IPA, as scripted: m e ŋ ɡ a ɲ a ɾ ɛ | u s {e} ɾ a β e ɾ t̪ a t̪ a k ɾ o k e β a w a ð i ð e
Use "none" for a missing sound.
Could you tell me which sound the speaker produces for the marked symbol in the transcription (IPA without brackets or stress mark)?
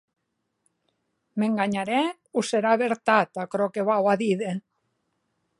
e